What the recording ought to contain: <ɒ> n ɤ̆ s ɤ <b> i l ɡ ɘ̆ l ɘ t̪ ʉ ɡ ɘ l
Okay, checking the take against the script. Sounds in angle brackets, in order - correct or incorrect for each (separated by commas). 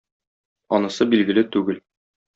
correct, correct